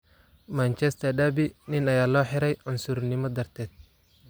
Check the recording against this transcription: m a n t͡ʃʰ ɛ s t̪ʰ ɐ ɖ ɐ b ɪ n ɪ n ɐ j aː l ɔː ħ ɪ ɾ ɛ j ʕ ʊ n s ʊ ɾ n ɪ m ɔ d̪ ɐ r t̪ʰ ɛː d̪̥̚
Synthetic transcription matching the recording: m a n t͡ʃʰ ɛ s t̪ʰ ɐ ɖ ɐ b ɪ n ɪ n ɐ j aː l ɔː ħ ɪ ɾ ɛ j ʕ ʊ n s ʊ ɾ n ɪ m ɔ d̪ ɐ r t̪ʰ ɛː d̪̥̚